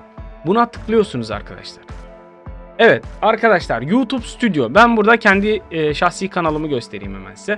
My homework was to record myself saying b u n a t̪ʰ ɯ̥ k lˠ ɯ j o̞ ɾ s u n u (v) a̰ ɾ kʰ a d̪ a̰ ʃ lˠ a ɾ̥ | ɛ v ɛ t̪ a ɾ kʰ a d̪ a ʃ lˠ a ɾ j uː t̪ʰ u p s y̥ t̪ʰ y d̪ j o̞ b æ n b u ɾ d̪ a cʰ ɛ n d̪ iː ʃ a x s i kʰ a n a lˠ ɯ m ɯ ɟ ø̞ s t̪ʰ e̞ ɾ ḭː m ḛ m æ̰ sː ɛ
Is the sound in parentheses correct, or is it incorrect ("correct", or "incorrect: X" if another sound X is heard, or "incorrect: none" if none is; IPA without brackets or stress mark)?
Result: incorrect: z